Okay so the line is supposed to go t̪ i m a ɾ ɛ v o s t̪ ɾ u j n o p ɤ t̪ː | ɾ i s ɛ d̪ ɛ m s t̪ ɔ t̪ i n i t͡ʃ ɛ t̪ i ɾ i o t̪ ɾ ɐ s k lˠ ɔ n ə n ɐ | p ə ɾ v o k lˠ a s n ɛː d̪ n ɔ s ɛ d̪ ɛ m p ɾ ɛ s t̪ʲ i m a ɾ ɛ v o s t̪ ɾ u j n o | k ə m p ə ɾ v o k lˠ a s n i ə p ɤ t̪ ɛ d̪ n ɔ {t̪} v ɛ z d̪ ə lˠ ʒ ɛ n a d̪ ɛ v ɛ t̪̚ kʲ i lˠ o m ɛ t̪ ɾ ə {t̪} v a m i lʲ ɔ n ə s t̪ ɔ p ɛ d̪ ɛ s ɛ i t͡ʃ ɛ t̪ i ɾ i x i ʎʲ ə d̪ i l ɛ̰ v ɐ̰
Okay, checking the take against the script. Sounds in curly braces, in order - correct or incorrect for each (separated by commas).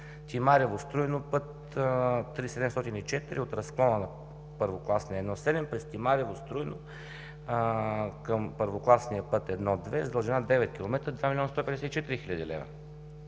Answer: incorrect, incorrect